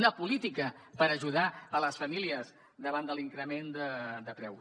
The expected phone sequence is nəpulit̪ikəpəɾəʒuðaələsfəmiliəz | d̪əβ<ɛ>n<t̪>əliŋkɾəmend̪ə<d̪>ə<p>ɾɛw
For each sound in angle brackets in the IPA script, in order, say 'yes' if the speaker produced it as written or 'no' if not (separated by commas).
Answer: no, no, yes, yes